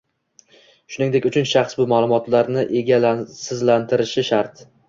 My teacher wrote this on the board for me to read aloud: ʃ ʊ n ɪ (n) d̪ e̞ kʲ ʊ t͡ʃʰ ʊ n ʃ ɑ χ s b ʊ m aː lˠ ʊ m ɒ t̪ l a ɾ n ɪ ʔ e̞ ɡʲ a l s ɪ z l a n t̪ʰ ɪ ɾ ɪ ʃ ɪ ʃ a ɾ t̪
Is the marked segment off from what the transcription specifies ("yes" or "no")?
yes